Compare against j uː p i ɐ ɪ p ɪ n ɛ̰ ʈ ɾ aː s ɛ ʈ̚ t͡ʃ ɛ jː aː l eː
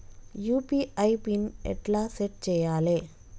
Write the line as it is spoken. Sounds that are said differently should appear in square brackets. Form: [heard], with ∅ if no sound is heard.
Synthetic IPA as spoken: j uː p i ɐ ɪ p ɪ n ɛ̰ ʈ [l] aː s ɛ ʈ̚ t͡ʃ ɛ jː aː l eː